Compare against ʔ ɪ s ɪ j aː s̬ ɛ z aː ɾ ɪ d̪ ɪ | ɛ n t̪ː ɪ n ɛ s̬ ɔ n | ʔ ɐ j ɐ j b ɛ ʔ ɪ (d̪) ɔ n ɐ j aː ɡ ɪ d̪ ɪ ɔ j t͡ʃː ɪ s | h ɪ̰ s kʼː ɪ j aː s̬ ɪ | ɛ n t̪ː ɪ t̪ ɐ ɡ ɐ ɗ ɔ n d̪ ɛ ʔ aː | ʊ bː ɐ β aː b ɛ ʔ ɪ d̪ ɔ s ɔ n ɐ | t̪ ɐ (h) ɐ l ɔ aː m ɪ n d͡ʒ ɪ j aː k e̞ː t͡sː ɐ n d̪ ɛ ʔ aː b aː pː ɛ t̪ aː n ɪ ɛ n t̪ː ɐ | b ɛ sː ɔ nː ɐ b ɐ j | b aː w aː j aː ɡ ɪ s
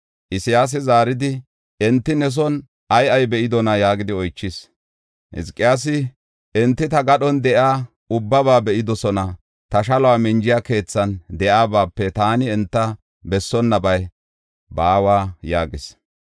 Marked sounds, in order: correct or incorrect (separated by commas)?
correct, incorrect